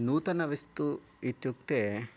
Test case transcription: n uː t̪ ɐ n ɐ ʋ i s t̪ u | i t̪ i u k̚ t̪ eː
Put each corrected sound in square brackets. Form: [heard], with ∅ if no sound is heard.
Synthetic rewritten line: n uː t̪ ɐ n ɐ ʋ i s t̪ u | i t̪ [j] u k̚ t̪ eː